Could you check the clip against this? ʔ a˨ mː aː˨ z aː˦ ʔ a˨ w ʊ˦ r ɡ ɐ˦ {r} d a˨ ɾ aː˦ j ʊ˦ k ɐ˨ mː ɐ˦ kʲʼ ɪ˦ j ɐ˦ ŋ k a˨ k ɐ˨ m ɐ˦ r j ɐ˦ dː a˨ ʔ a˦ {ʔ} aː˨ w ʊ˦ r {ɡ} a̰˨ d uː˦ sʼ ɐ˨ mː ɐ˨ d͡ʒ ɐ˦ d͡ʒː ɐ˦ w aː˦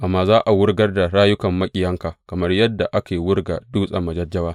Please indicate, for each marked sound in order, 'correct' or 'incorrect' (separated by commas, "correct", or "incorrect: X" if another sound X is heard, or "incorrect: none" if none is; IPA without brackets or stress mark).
correct, incorrect: k, correct